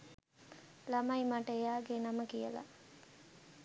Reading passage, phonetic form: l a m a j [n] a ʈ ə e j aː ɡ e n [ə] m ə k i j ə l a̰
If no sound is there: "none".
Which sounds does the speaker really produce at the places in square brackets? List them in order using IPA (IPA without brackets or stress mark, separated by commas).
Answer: m, a